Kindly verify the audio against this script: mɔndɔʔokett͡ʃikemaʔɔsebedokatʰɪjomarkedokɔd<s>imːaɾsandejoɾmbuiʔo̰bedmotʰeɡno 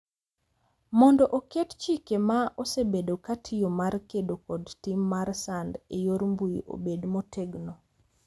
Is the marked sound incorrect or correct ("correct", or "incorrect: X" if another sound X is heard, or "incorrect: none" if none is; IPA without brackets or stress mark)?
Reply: incorrect: t